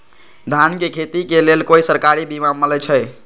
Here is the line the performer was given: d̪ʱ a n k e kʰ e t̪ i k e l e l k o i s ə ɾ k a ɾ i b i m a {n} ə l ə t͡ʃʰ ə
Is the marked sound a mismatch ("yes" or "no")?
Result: yes